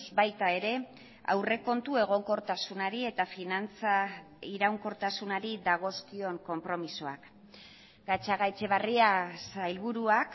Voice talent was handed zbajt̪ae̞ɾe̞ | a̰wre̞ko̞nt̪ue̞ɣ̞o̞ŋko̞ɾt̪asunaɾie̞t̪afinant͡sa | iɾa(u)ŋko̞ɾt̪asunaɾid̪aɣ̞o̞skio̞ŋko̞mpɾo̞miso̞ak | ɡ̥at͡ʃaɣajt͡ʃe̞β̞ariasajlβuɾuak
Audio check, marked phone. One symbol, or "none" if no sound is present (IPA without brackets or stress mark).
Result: w